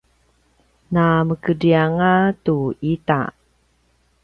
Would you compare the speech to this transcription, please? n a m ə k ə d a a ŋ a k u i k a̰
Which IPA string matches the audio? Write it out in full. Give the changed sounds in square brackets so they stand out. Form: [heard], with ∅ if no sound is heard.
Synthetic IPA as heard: n a m ə k ə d [i] a ŋ a [t] u i [t] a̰